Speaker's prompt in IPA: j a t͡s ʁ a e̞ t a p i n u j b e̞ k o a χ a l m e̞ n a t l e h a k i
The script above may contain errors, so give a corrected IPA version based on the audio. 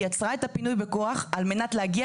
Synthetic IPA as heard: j a t͡s ʁ a e̞ t a p i n u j b e̞ k o a χ a l m e̞ n a t l e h a ɡ i